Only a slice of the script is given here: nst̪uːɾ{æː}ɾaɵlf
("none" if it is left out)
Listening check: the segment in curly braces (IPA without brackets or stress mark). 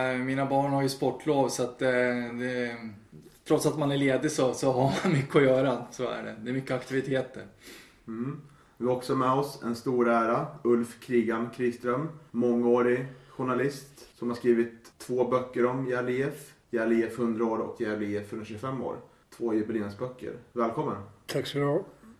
æː